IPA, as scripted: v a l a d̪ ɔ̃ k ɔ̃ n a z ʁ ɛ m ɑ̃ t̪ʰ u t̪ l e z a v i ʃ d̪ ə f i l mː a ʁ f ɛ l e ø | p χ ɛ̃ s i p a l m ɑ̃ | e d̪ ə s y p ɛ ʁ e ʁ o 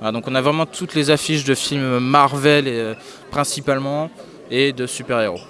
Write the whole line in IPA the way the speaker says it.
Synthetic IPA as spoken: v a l a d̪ ɔ̃ k ɔ̃ n a v ʁ ɛ m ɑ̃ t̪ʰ u t̪ l e z a f i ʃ d̪ ə f i l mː a ʁ v ɛ l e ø | p χ ɛ̃ s i p a l m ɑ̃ | e d̪ ə s y p ɛ ʁ e ʁ o

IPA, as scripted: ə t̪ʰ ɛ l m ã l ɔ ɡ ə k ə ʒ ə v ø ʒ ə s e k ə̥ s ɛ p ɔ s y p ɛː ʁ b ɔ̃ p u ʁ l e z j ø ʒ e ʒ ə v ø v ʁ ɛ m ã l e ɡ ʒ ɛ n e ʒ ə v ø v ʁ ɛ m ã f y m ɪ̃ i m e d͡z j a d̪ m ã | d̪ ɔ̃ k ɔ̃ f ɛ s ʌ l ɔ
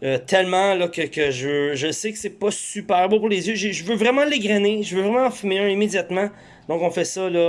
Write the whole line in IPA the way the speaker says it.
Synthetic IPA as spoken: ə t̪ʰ ɛ l m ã l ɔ k ə k ə ʒ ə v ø ʒ ə s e k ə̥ s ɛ p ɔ s y p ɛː ʁ b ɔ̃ p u ʁ l e z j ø ʒ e ʒ ə v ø v ʁ ɛ m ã l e ɡ ʁ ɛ n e ʒ ə v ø v ʁ ɛ m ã f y m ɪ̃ i m e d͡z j a t̪ m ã | d̪ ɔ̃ k ɔ̃ f ɛ s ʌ l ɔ

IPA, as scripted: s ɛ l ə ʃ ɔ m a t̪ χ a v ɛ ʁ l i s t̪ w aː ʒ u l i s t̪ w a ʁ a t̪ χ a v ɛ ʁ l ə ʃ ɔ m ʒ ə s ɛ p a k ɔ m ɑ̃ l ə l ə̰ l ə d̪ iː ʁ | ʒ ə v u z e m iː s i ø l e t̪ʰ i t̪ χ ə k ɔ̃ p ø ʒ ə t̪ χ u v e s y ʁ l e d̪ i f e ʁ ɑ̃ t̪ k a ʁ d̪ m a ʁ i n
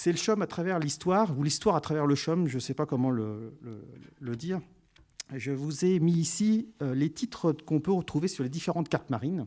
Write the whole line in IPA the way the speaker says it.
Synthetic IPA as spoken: s ɛ l ə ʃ ɔ m a t̪ χ a v ɛ ʁ l i s t̪ w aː ʁ u l i s t̪ w a ʁ a t̪ χ a v ɛ ʁ l ə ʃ ɔ m ʒ ə s ɛ p a k ɔ m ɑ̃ l ə l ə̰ l ə d̪ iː ʁ | ʒ ə v u z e m iː s i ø l e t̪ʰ i t̪ χ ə k ɔ̃ p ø ʁ ə t̪ χ u v e s y ʁ l e d̪ i f e ʁ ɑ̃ t̪ k a ʁ t̪ m a ʁ i n

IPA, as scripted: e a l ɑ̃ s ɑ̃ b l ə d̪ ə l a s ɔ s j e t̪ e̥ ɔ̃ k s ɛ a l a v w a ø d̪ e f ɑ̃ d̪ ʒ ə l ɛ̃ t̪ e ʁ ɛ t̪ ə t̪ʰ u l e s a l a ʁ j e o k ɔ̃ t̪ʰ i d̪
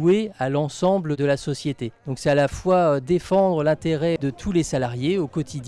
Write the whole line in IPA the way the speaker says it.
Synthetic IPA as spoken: e a l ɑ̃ s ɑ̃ b l ə d̪ ə l a s ɔ s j e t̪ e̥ ɔ̃ k s ɛ a l a f w a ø d̪ e f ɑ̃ d̪ ʁ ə l ɛ̃ t̪ e ʁ ɛ d̪ ə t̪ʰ u l e s a l a ʁ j e o k ɔ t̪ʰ i d̪

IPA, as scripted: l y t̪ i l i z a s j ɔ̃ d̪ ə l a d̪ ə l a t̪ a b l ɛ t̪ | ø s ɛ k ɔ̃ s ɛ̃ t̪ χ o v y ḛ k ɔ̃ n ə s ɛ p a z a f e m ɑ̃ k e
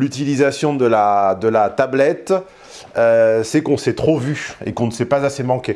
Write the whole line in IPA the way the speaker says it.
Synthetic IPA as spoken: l y t̪ i l i z a s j ɔ̃ d̪ ə l a d̪ ə l a t̪ a b l ɛ t̪ | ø s ɛ k ɔ̃ s ɛ t̪ χ o v y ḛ k ɔ̃ n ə s ɛ p a z a s e m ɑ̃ k e

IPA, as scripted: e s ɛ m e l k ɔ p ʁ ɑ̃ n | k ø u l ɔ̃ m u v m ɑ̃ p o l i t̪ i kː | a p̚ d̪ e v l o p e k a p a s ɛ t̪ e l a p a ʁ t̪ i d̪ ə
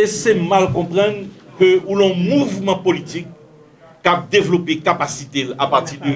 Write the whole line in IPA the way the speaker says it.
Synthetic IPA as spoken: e s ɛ m a l k ɔ̃ p ʁ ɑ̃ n | k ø u l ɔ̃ m u v m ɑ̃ p o l i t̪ i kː | a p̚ d̪ e v l o p e k a p a s i t̪ e l a p a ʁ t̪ i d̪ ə

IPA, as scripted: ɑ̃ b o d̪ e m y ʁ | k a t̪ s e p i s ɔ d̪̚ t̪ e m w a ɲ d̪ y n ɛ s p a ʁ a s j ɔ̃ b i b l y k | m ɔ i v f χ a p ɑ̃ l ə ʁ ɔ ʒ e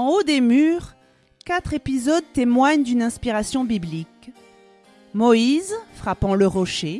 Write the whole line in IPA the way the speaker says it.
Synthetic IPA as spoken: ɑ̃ o d̪ e m y ʁ | k a t̪ χ e p i z ɔ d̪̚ t̪ e m w a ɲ d̪ y n ɛ̃ s p i ʁ a s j ɔ̃ b i b l i k | m ɔ i z f χ a p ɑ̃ l ə ʁ ɔ ʃ e

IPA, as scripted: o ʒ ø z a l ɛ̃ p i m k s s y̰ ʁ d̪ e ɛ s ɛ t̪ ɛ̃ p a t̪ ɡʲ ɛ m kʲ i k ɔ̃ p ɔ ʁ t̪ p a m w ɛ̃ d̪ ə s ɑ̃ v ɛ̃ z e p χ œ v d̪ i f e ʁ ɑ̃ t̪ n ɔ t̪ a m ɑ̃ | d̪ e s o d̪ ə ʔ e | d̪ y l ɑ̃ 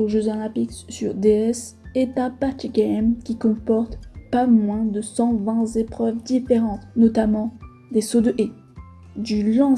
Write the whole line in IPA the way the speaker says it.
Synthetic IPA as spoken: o ʒ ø z a l ɛ̃ p i k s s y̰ ʁ d̪ e ɛ s ɛ t̪ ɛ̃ p a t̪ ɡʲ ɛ m kʲ i k ɔ̃ p ɔ ʁ t̪ p a m w ɛ̃ d̪ ə s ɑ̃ v ɛ̃ z e p χ œ v d̪ i f e ʁ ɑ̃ t̪ n ɔ t̪ a m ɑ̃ | d̪ e s o d̪ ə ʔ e | d̪ y l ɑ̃

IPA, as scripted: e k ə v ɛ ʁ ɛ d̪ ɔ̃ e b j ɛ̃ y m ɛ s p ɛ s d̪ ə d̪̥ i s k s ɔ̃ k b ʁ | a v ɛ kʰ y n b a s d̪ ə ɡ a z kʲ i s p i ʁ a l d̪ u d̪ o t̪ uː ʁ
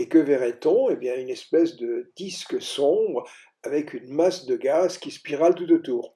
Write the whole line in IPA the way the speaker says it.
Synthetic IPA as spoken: e k ə v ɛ ʁ ɛ t̪ ɔ̃ e b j ɛ̃ y n ɛ s p ɛ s d̪ ə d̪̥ i s k s ɔ̃ b ʁ | a v ɛ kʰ y n m a s d̪ ə ɡ a z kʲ i s p i ʁ a l t̪ u t̪ o t̪ uː ʁ

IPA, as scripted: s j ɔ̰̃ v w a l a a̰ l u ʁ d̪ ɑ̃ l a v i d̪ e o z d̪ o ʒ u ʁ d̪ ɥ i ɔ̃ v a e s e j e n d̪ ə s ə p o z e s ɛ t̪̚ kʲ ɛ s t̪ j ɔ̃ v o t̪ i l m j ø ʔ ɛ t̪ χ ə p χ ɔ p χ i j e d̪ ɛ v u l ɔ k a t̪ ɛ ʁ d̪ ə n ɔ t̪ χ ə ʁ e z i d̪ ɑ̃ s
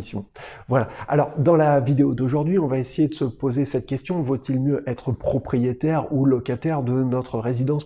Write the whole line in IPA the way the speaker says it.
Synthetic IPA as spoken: s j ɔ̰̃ v w a l a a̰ l ɔ ʁ d̪ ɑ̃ l a v i d̪ e o d̪ o ʒ u ʁ d̪ ɥ i ɔ̃ v a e s e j e d̪ ə s ə p o z e s ɛ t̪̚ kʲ ɛ s t̪ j ɔ̃ v o t̪ i l m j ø ʔ ɛ t̪ χ ə p χ ɔ p χ i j e t̪ ɛ ʁ u l ɔ k a t̪ ɛ ʁ d̪ ə n ɔ t̪ χ ə ʁ e z i d̪ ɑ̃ s

